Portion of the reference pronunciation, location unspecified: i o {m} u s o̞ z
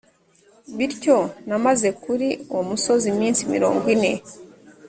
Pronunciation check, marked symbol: correct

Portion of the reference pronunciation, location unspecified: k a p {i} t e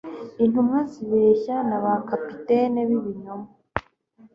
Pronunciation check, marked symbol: correct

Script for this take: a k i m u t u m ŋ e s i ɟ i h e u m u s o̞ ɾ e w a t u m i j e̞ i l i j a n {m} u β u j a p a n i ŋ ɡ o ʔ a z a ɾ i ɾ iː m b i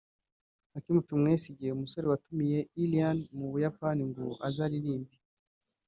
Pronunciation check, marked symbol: correct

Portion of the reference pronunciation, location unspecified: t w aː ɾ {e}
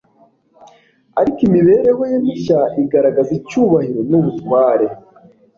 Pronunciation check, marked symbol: correct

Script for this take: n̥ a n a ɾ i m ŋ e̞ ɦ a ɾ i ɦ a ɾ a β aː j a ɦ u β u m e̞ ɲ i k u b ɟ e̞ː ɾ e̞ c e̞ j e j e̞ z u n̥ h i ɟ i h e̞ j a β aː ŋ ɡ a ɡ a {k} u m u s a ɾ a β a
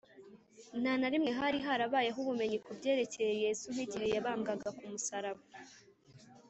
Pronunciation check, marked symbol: correct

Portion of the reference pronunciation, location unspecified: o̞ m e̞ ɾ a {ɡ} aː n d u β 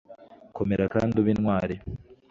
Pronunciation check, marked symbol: incorrect: k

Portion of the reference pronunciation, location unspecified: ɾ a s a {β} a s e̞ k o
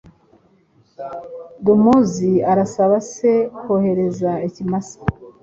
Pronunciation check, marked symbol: correct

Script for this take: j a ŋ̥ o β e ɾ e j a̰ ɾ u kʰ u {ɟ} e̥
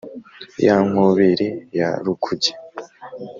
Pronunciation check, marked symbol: correct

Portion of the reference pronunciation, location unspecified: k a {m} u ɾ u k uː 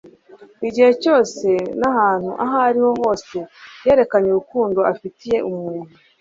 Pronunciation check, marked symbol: incorrect: ɲ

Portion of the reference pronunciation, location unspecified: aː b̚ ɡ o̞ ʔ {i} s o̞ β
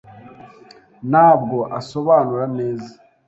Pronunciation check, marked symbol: incorrect: a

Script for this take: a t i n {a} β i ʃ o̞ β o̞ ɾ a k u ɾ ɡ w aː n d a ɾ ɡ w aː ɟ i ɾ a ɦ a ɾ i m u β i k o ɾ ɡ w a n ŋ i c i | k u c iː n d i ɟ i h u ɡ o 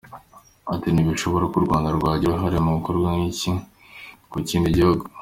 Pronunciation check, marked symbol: incorrect: i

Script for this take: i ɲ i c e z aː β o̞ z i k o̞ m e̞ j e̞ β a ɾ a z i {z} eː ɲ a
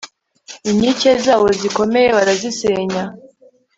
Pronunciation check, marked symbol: incorrect: s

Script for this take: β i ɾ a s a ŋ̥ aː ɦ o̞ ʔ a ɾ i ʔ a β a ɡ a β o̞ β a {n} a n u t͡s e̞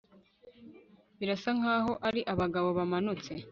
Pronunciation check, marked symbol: incorrect: m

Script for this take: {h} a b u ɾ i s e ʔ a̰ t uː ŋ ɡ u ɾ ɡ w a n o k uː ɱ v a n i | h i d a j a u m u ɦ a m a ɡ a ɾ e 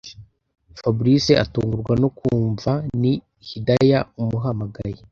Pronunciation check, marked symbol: incorrect: f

